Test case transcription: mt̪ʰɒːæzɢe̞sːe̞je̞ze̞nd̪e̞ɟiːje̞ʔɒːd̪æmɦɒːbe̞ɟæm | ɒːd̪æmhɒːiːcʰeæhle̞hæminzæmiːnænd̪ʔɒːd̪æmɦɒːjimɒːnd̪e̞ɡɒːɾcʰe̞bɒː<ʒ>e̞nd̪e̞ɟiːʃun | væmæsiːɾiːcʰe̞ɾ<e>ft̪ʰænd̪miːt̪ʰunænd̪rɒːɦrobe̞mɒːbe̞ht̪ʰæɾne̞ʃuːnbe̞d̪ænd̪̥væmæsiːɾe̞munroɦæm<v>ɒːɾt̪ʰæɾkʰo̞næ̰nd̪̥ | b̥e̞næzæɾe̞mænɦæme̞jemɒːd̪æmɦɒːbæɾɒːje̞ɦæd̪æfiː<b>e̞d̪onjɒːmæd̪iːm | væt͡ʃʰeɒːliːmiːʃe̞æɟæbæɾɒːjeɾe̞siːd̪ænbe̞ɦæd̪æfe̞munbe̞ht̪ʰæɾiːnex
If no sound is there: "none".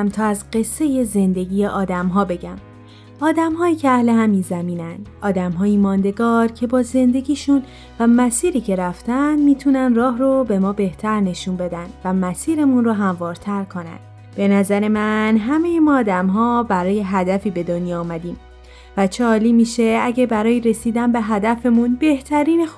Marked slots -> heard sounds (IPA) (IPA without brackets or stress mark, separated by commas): z, æ, v, b